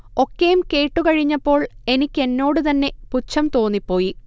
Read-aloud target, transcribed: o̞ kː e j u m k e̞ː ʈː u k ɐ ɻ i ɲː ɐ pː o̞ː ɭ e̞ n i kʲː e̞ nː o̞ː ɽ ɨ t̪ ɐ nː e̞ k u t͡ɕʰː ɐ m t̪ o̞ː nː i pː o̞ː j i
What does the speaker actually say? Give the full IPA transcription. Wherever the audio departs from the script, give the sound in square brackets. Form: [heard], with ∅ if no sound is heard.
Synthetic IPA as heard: o̞ kː e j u m k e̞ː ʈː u k ɐ ɻ i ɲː ɐ pː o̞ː ɭ e̞ n i kʲː e̞ nː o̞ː ɽ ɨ t̪ ɐ nː e̞ [p] u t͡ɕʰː ɐ m t̪ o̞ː nː i pː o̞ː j i

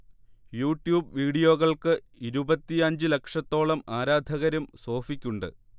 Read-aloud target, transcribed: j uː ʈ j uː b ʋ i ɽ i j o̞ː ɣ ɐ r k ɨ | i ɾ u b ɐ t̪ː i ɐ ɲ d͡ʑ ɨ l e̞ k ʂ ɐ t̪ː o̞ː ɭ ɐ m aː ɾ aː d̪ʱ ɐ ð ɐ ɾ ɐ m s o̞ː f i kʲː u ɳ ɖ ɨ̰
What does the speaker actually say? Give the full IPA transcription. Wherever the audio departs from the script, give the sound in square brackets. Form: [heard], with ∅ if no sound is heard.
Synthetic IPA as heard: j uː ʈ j uː b ʋ [iː] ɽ i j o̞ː ɣ ɐ [ɭ] k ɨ | i ɾ u b ɐ t̪ː i ɐ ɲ d͡ʑ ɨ l e̞ k ʂ ɐ t̪ː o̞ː ɭ ɐ m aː ɾ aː d̪ʱ ɐ [ɣ] ɐ ɾ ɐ m s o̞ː f i kʲː u ɳ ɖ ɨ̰

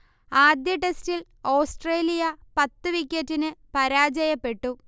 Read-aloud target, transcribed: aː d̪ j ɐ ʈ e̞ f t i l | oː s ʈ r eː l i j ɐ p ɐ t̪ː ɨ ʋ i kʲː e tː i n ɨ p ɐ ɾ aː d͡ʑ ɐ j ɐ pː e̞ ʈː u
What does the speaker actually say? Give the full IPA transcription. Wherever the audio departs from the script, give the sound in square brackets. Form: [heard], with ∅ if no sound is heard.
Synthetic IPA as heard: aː d̪ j ɐ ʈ e̞ [s] t i l | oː s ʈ r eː l i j ɐ p ɐ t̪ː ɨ ʋ i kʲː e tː i n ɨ p ɐ ɾ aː d͡ʑ ɐ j ɐ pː e̞ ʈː u

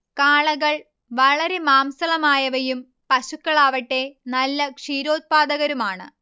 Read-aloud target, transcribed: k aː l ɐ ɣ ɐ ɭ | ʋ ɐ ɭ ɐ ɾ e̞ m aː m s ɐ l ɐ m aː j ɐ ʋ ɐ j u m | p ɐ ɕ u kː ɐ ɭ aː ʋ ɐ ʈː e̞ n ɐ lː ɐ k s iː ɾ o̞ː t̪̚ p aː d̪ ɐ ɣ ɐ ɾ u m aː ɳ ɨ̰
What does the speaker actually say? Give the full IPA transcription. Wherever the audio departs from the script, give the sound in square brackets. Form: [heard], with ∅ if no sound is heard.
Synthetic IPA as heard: k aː [ɭ] ɐ ɣ ɐ ɭ | ʋ ɐ ɭ ɐ ɾ e̞ m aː m s ɐ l ɐ m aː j ɐ ʋ ɐ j u m | p ɐ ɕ u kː ɐ ɭ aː ʋ ɐ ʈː e̞ n ɐ lː ɐ k [ʂ] iː ɾ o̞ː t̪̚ p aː d̪ ɐ ɣ ɐ ɾ u m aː ɳ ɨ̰

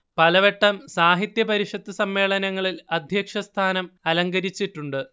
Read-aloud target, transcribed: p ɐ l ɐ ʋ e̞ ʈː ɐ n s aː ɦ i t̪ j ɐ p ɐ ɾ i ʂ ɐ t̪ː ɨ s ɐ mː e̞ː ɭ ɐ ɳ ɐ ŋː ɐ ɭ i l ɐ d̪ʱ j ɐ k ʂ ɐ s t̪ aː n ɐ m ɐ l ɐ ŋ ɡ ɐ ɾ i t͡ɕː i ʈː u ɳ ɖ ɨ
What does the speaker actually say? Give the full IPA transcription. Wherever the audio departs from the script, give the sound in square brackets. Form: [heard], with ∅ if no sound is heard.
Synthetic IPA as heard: p ɐ l ɐ ʋ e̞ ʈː ɐ [m] s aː ɦ i t̪ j ɐ p ɐ ɾ i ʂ ɐ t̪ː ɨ s ɐ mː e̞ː ɭ ɐ [n] ɐ ŋː ɐ ɭ i l ɐ d̪ʱ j ɐ k ʂ ɐ s [t̪ʰ] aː n ɐ m ɐ l ɐ ŋ ɡ ɐ ɾ i t͡ɕː i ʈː u ɳ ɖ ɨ

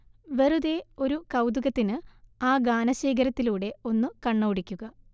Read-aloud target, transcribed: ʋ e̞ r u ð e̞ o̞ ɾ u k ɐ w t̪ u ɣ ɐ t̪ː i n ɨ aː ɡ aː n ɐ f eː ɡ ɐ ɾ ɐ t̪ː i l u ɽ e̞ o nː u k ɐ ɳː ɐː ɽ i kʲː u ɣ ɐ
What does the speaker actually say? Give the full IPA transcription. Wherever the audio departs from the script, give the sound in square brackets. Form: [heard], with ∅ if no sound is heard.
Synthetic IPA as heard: ʋ e̞ r u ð e̞ o̞ ɾ u k ɐ w [d̪] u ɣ ɐ t̪ː i n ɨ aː ɡ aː n ɐ [ɕ] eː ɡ ɐ ɾ ɐ t̪ː i l [uː] ɽ e̞ o nː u k ɐ ɳː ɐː ɽ i kʲː u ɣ ɐ

